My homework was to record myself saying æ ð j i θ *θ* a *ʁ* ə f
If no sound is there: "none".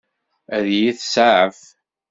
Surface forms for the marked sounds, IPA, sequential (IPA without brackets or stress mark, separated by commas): s, ʕ